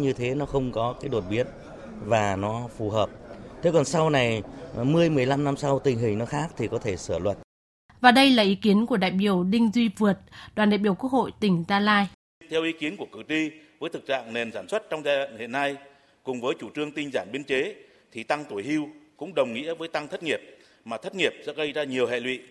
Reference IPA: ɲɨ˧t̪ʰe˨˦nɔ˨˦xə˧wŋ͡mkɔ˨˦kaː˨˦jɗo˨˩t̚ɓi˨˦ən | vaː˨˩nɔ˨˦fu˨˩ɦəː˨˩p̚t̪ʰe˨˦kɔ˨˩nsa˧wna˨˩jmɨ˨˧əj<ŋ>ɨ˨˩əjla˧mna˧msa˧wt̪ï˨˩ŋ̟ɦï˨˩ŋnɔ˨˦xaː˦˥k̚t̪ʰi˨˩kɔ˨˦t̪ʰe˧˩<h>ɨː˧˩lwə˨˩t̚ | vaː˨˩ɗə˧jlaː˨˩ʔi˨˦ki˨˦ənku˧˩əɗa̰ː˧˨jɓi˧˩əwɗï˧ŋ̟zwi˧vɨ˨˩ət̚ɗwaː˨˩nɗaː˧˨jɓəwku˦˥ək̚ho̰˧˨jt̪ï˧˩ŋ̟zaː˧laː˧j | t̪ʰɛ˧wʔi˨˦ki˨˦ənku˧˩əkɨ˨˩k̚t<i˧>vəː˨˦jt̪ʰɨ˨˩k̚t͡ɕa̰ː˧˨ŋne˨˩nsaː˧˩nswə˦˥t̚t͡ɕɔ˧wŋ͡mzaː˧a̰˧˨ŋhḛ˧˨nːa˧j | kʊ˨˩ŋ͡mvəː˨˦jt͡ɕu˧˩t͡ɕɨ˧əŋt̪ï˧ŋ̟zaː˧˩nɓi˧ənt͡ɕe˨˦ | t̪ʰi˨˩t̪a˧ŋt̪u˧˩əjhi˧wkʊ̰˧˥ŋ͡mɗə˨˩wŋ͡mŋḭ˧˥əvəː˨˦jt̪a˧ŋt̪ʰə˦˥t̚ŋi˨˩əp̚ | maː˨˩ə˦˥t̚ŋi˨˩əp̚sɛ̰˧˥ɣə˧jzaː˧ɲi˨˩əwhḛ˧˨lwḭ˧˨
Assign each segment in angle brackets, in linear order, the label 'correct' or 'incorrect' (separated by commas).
incorrect, incorrect, correct